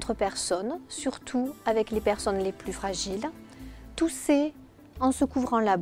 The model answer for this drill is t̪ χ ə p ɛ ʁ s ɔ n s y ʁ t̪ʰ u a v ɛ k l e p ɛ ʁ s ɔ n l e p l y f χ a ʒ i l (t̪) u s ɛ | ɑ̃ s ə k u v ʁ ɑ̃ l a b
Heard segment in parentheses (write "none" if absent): t̪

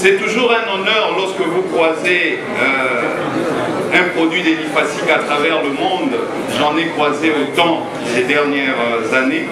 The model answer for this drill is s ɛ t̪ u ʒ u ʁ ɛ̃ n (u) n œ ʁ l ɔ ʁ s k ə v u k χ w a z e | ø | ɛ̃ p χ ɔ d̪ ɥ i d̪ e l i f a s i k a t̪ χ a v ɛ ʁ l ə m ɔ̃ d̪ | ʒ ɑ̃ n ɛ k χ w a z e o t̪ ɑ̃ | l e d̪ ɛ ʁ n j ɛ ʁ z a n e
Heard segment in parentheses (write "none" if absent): ɔ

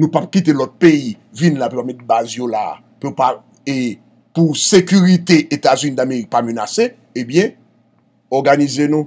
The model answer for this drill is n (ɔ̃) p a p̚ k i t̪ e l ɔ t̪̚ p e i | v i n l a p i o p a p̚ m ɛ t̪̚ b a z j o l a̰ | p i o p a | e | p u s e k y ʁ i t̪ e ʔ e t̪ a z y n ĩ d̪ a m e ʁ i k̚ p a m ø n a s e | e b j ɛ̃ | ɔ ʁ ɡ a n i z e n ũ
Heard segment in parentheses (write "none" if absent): ũ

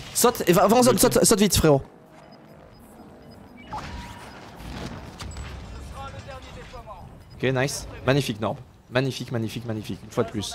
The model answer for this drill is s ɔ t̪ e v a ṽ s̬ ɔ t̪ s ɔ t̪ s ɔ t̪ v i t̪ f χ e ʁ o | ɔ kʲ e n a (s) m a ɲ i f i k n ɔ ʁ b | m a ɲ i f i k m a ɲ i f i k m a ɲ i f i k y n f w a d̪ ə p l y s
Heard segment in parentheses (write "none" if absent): s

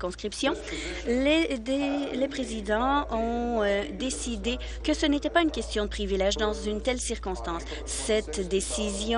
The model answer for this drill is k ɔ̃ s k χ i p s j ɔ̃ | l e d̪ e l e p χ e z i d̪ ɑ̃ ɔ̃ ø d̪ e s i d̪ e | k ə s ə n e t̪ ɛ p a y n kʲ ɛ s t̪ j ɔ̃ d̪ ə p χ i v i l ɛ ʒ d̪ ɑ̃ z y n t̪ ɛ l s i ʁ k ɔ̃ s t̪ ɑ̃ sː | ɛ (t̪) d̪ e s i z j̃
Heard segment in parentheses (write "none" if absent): t̪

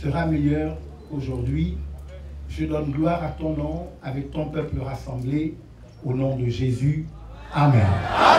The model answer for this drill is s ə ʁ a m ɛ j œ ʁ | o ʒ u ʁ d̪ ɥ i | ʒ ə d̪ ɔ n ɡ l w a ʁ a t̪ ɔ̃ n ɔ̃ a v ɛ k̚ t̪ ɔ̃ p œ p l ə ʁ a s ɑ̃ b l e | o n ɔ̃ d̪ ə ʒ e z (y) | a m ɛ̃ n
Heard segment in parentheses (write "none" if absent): y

